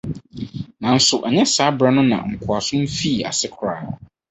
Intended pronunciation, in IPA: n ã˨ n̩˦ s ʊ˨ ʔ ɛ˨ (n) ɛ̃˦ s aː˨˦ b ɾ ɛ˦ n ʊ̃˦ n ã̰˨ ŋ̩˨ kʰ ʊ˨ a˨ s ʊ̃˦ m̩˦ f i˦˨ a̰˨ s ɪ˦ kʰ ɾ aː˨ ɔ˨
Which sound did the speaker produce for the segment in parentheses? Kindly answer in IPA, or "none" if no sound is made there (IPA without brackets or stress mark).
ɲ